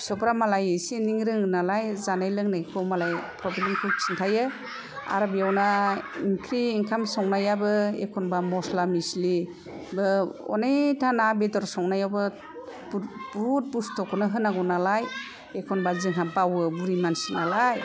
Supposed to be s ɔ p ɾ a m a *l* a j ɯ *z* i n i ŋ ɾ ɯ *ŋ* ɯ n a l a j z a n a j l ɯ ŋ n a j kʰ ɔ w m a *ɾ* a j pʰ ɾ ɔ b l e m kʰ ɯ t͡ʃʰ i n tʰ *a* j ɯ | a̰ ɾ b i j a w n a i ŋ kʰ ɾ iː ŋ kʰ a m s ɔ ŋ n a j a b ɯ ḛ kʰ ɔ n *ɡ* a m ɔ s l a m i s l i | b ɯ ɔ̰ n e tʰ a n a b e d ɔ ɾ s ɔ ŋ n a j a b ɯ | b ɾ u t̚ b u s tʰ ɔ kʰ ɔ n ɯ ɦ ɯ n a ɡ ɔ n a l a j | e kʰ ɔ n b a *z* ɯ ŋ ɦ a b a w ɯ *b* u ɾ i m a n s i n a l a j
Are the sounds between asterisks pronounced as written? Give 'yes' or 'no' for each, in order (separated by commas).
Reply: yes, no, yes, no, yes, no, yes, yes